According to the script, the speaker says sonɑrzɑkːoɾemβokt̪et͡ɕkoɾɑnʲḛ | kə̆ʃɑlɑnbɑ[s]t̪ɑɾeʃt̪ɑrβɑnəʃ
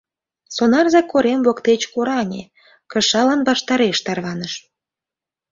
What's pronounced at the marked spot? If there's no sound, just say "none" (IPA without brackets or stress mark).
ʃ